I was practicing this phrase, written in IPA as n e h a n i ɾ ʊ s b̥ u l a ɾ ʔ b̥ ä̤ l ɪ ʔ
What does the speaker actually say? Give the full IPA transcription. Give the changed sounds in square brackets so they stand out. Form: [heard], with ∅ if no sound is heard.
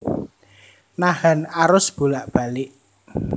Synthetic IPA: n [a] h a n [a] ɾ ʊ s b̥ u l a [∅] ʔ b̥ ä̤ l ɪ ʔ